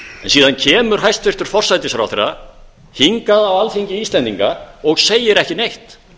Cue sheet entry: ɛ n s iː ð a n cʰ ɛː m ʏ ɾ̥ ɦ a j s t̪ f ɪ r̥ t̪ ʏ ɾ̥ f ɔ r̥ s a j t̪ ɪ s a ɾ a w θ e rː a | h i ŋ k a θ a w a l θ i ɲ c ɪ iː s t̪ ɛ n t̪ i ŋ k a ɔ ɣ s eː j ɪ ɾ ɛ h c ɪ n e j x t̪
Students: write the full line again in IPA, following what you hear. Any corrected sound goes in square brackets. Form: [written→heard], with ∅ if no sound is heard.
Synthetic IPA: ɛ n s iː ð a n cʰ ɛː m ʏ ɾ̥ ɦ a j s t̪ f ɪ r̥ t̪ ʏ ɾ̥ f ɔ r̥ s a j t̪ ɪ s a ɾ a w θ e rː a | h i ŋ k a [θ→ð] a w a l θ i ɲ c ɪ iː s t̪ ɛ n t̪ i ŋ k a ɔ ɣ s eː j ɪ ɾ ɛ h c ɪ n e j [x→h] t̪